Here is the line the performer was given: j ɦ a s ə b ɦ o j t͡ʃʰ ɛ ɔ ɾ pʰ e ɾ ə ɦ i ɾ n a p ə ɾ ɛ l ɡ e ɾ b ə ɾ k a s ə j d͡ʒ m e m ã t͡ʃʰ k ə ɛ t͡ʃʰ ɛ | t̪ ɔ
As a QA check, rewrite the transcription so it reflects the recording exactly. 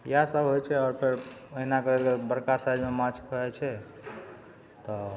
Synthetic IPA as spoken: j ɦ a s ə b ɦ o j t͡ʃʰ ɛ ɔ ɾ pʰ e ɾ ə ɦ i n a k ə ɾ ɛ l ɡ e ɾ b ə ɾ k a s a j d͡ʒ m e m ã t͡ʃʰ k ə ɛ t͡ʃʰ ɛ | t̪ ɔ